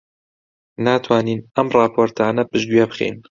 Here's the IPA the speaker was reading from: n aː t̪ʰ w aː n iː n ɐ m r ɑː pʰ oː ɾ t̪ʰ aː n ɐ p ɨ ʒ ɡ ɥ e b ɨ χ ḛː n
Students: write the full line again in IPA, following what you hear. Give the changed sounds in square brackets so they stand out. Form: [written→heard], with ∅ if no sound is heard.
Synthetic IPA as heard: n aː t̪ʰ w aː n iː n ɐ m r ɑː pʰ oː ɾ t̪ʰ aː n ɐ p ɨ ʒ ɡ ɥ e b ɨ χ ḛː n